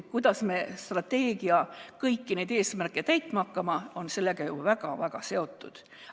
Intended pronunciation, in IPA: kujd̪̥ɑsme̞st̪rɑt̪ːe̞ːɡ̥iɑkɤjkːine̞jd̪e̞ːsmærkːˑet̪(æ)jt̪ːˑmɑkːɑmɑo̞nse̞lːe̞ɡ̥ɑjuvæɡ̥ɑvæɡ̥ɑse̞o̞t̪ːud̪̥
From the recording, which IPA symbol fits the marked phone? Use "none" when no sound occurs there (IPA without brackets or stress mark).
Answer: æ